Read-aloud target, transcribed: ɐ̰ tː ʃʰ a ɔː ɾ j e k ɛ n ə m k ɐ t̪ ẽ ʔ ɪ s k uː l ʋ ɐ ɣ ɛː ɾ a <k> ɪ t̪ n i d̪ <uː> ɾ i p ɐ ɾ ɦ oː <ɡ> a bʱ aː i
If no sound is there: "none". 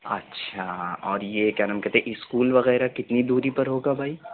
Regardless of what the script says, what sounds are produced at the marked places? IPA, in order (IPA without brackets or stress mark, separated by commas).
k, uː, ɡ